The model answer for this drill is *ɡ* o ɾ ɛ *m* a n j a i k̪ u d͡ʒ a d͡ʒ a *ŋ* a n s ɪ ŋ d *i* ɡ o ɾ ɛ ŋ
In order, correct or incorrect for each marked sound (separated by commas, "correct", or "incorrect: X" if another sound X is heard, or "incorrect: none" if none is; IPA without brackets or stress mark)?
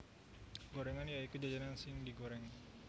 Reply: correct, incorrect: ŋ, incorrect: n, correct